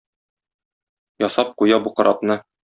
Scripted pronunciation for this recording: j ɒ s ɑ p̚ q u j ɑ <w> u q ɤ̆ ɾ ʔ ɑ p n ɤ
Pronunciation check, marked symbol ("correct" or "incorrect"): incorrect